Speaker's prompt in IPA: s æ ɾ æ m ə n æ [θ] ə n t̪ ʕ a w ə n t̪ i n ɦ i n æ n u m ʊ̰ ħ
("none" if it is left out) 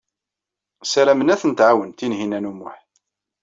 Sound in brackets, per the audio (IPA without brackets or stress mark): θ